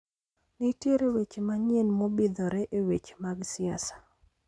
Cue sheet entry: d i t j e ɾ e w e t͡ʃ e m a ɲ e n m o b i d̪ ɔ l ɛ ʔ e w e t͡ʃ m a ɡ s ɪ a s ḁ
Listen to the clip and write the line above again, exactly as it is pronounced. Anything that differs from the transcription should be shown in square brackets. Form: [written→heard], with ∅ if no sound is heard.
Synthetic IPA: [d→n] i t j e ɾ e w e t͡ʃ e m a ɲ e n m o b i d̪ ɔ [l→ɾ] ɛ ʔ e w e t͡ʃ m a ɡ s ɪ a s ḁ